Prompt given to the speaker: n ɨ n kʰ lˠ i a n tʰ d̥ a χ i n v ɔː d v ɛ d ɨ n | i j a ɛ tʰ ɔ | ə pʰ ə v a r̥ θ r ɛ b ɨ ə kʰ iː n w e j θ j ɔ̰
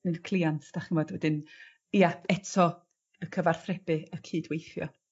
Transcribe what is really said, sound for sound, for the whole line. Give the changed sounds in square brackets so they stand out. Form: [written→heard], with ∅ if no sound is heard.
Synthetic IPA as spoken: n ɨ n kʰ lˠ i a n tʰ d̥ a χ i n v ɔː d [v→w] ɛ d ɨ n | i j a ɛ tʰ ɔ | ə [pʰ→kʰ] ə v a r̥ θ r ɛ b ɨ ə kʰ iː [n→d] w e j θ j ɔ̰